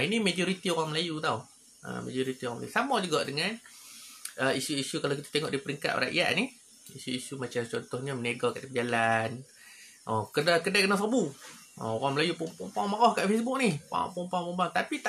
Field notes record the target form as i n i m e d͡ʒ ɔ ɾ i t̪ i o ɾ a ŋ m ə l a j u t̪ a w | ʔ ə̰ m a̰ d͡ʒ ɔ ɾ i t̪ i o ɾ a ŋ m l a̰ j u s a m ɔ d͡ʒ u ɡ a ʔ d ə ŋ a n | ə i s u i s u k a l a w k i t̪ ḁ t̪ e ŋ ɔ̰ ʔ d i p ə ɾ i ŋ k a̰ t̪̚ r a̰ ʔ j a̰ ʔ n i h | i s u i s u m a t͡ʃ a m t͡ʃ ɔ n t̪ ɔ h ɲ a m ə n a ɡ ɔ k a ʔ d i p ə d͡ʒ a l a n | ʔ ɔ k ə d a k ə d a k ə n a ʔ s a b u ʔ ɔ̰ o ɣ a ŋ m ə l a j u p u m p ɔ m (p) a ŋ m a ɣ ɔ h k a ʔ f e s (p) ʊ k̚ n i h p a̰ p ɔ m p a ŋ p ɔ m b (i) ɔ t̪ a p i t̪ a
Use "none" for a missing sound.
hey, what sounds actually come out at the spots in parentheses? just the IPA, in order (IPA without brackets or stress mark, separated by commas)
p, b, a